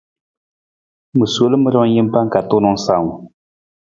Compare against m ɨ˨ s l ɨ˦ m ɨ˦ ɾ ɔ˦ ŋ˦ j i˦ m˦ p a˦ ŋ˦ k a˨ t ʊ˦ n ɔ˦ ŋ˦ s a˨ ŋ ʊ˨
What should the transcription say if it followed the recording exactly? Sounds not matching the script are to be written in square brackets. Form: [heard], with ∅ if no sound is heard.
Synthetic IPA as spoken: m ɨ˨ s l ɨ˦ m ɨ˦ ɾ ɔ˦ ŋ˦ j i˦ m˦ p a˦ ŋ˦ k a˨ t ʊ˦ n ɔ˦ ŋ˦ s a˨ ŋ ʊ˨